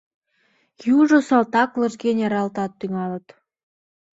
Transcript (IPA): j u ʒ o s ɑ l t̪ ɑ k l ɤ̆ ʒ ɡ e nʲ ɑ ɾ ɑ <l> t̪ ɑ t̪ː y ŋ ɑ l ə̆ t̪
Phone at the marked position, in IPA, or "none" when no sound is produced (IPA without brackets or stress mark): l